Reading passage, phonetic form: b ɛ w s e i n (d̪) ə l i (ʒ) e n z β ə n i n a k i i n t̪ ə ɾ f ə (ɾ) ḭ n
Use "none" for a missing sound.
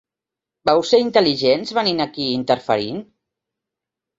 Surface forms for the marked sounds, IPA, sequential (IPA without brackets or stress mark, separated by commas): t̪, ʒ, ɾ